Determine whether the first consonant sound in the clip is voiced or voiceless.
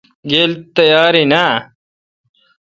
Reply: voiced